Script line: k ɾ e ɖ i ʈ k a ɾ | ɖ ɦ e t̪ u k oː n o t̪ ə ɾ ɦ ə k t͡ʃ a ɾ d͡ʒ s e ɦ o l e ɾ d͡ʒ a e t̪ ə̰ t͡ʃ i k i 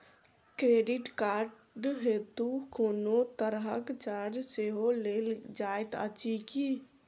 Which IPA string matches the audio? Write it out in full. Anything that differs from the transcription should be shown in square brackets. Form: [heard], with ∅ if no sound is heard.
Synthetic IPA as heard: k ɾ e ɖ i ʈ k a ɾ | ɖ ɦ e t̪ u k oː n o t̪ ə ɾ ɦ ə k t͡ʃ a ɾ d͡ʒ s e ɦ o l e [l] d͡ʒ a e t̪ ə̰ t͡ʃ i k i